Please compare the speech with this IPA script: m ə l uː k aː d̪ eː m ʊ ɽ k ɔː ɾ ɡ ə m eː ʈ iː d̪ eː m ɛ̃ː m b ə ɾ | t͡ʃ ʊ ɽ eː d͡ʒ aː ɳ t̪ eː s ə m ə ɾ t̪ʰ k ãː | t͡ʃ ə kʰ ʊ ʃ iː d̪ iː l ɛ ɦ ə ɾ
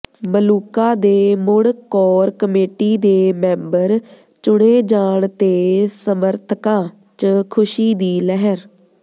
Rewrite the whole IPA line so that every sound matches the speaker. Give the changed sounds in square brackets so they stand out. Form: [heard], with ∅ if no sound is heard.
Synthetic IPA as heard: m ə l uː k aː d̪ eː m ʊ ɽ k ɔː ɾ [k] ə m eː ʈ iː d̪ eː m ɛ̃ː m b ə ɾ | t͡ʃ ʊ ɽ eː d͡ʒ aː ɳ t̪ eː s ə m ə ɾ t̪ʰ k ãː | t͡ʃ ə kʰ ʊ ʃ iː d̪ iː l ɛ ɦ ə ɾ